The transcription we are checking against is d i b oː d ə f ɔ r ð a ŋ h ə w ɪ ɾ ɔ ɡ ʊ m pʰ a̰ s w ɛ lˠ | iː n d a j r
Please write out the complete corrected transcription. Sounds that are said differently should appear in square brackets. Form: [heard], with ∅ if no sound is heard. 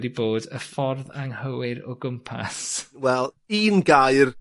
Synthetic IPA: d i b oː d ə f ɔ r ð a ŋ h ə w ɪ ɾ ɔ ɡ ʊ m pʰ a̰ s w ɛ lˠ | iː n [ɡ] a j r